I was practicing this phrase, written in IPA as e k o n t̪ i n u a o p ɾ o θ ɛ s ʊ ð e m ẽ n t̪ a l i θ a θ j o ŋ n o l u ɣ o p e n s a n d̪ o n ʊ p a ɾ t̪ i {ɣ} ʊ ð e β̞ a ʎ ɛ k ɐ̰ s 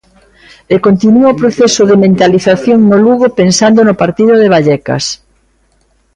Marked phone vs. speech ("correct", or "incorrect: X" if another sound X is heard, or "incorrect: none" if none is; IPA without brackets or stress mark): incorrect: ð